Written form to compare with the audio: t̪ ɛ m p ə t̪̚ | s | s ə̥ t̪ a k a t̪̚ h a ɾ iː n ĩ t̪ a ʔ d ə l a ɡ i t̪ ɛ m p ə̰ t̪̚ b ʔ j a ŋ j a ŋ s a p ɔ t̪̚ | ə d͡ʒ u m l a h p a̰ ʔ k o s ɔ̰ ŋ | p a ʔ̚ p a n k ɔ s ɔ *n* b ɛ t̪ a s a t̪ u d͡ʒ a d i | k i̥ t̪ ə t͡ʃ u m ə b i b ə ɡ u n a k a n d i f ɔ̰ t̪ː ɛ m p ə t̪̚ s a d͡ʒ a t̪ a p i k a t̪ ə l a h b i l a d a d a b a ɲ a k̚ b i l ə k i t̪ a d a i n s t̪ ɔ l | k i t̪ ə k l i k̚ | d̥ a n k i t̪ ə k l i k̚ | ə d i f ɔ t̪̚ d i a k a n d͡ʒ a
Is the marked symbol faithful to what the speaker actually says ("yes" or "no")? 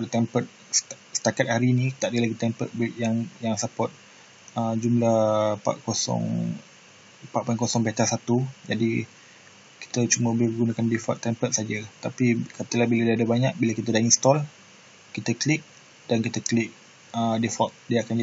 no